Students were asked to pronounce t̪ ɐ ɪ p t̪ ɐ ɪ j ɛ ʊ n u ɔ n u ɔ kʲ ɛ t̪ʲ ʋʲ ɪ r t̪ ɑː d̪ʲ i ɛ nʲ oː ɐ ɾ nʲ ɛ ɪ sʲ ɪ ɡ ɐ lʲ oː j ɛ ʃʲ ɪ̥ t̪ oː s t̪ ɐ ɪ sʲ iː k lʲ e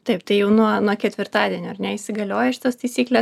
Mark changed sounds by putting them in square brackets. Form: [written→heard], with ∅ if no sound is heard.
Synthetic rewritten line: t̪ ɐ ɪ p t̪ ɐ ɪ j ɛ ʊ n u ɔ n u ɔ kʲ ɛ t̪ʲ ʋʲ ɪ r t̪ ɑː d̪ʲ i ɛ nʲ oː ɐ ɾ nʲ ɛ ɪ sʲ ɪ ɡ ɐ lʲ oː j ɛ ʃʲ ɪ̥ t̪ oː s t̪ ɐ ɪ sʲ iː k lʲ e